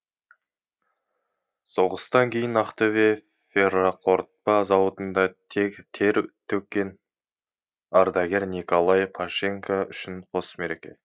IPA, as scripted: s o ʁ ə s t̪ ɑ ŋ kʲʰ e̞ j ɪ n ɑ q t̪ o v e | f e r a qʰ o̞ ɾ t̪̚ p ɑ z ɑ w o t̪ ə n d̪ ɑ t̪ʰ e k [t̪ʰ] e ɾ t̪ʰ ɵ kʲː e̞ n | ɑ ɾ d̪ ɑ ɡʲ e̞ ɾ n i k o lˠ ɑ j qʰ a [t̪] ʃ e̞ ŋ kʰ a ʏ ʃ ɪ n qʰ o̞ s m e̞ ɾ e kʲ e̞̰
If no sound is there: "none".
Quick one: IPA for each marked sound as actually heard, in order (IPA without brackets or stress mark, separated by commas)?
t̪ʰ, none